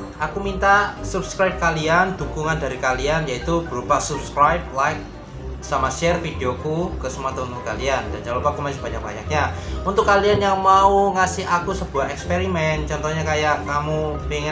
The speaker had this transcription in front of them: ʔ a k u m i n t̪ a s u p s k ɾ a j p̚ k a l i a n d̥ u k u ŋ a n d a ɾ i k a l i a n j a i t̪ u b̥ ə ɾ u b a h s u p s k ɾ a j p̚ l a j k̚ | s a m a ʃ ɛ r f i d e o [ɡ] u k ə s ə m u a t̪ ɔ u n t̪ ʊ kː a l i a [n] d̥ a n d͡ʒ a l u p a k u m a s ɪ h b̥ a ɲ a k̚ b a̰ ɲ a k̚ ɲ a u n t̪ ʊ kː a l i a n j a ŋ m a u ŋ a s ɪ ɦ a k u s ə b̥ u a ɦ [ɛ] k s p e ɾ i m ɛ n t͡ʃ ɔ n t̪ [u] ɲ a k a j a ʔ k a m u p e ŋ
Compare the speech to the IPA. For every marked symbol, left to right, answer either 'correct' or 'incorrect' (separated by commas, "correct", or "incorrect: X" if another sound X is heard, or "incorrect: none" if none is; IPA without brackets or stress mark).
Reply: incorrect: k, correct, correct, incorrect: ɔ